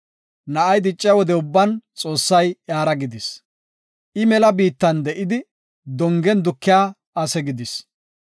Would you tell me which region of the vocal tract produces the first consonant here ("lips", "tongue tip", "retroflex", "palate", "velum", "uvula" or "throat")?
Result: tongue tip